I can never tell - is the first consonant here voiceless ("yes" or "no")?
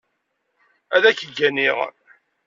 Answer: no